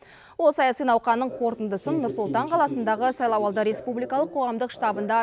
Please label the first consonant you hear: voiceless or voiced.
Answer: voiced